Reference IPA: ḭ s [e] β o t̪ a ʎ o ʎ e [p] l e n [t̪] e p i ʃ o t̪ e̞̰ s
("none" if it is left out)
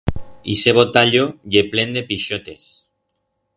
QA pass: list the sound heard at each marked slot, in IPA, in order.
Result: e, p, d̪

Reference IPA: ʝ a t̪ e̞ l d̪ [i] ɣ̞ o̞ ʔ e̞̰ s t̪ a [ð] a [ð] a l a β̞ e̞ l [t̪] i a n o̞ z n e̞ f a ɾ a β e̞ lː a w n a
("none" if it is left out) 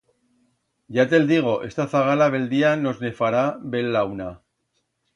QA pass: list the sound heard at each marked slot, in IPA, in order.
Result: i, θ, ɣ, d̪

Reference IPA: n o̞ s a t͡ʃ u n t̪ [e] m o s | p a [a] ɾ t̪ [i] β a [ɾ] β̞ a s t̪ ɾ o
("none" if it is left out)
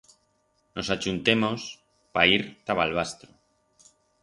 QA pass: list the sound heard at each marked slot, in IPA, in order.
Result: e, i, a, l

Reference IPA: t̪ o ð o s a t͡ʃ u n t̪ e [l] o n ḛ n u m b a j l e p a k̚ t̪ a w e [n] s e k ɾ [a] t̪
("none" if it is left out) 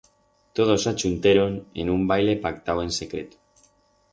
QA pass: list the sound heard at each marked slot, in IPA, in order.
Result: ɾ, n, e

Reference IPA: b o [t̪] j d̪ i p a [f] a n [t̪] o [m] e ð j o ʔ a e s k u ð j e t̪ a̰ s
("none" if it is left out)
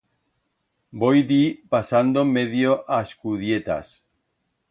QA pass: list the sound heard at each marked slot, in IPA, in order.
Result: none, s, d̪, m

